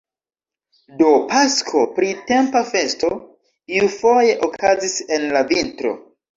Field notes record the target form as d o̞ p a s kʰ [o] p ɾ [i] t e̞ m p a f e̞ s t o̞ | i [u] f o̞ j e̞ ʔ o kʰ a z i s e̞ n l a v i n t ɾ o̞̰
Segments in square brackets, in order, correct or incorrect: correct, correct, correct

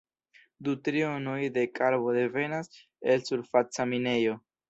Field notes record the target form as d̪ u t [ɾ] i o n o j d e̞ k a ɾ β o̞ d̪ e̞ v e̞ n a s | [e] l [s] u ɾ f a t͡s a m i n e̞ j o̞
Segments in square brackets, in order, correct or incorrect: correct, correct, correct

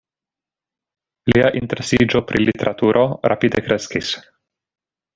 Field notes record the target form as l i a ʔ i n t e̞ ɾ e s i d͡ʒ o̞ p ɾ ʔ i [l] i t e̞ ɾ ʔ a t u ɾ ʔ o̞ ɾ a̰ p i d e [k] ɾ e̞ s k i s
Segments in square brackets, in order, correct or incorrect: correct, correct

